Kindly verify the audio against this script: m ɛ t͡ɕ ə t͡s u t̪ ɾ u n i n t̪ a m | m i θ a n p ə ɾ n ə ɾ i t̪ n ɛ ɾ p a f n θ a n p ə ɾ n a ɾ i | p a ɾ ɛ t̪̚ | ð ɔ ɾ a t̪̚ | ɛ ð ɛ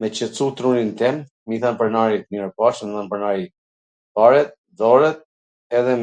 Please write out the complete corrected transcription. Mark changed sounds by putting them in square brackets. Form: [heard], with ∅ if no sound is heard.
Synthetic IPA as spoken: m ɛ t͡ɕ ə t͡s u t̪ ɾ u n i n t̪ [ɛ] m | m i θ a n p ə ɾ n [a] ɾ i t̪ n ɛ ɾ p a [ʃ] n θ a n p ə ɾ n a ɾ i | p a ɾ ɛ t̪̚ | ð ɔ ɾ [ɛ] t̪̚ | ɛ ð ɛ